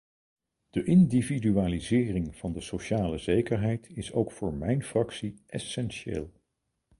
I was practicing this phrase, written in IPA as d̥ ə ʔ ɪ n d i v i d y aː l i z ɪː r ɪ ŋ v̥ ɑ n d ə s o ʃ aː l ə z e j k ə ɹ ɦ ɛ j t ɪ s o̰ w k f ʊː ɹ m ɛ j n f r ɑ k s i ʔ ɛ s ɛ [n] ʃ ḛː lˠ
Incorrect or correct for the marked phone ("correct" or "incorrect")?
correct